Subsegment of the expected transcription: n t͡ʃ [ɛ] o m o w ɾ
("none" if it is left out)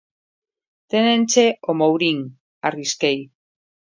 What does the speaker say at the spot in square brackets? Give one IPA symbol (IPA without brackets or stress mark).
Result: e